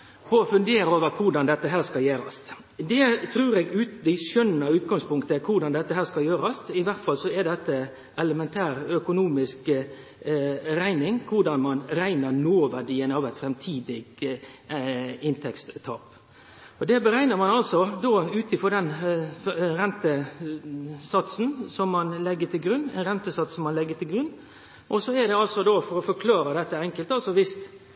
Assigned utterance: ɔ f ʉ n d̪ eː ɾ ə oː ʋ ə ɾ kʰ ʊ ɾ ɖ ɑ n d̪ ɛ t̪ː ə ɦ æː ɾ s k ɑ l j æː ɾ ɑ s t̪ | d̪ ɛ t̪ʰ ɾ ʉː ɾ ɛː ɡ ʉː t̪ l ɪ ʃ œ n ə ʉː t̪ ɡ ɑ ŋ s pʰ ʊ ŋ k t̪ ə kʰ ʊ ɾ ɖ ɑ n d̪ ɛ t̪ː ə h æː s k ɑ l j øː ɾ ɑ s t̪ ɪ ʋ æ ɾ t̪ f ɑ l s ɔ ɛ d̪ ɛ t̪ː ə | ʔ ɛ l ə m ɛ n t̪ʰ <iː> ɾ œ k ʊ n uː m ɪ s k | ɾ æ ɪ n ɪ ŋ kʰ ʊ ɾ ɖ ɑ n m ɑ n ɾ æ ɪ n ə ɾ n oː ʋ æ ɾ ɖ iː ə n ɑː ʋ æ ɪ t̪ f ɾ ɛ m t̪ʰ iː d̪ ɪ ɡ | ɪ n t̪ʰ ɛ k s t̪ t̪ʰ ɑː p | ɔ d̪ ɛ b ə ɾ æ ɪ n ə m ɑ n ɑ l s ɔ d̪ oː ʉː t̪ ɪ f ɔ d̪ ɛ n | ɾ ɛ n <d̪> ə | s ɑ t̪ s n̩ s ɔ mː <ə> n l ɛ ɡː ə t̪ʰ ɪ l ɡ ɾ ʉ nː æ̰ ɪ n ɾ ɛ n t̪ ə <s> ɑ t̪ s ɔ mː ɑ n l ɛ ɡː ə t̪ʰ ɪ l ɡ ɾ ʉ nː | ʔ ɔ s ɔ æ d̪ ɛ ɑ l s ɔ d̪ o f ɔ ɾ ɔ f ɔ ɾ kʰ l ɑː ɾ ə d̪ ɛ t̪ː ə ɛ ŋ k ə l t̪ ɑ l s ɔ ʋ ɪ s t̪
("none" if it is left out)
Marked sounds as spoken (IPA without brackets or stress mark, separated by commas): æː, t̪, ɑ, s